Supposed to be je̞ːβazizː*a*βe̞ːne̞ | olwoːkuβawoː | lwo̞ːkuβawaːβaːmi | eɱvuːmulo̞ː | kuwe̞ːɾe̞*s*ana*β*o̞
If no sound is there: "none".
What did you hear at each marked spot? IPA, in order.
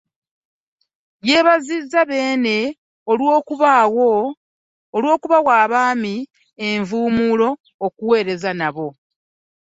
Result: a, z, β

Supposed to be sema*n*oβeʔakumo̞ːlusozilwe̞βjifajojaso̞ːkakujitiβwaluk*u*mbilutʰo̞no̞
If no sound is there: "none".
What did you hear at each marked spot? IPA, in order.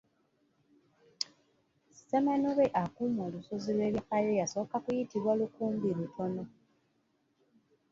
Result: n, uː

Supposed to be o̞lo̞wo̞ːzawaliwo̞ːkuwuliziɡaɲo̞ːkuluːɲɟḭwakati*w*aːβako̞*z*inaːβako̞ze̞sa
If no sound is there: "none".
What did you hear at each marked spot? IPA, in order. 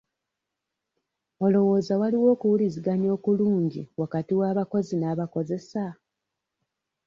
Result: w, z

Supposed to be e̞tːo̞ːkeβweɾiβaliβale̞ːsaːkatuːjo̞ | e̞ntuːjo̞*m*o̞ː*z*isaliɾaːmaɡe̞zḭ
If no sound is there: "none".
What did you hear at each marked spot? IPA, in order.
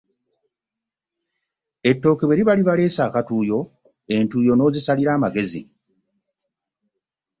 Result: n, z

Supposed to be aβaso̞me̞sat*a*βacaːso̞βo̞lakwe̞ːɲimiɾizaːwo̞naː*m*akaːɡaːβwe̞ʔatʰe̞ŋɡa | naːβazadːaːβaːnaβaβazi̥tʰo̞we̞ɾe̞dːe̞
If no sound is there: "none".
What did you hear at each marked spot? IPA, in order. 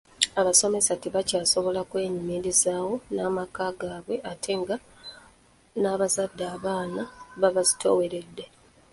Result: i, m

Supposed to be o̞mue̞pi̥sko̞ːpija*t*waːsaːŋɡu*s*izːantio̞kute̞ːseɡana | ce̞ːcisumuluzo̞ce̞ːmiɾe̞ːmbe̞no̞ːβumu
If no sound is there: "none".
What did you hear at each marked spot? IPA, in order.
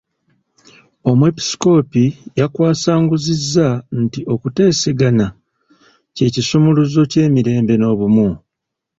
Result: k, z

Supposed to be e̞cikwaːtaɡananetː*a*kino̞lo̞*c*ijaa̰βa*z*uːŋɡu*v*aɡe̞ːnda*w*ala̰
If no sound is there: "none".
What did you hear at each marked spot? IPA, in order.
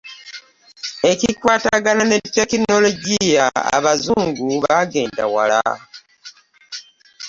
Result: e, ɟ, z, β, w

